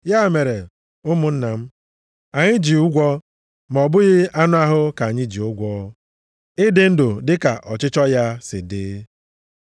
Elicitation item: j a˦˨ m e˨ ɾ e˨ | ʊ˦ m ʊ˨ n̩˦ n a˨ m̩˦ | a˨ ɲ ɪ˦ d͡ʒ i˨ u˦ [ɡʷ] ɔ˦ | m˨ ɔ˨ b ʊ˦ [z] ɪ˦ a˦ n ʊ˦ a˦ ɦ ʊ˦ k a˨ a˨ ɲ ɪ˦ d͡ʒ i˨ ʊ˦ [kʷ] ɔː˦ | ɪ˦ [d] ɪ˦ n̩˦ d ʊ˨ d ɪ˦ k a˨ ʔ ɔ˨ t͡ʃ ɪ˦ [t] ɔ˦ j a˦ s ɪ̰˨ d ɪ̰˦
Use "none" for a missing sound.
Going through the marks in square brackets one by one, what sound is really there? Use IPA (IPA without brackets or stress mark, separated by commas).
ɡʷ, ɣ, ɡʷ, d, t͡ʃ